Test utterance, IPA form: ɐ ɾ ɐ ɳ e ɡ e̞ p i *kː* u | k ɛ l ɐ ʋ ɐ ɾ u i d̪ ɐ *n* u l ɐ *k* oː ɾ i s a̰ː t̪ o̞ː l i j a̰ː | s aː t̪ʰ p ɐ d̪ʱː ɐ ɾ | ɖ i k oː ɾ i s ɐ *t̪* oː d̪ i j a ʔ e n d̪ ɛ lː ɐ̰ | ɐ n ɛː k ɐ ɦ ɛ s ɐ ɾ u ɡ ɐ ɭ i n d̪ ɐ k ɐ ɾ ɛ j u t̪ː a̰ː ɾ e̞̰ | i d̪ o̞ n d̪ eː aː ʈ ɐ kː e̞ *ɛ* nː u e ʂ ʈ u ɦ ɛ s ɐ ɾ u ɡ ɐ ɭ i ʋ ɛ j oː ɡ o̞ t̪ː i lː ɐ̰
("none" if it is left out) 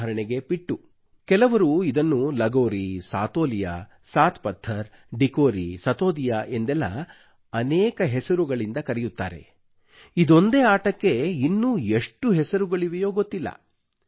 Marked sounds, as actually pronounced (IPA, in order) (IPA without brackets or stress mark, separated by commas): ʈː, nː, ɡ, t̪, i